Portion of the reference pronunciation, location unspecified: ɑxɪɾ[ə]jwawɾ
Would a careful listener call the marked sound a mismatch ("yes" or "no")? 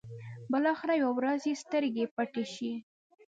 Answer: yes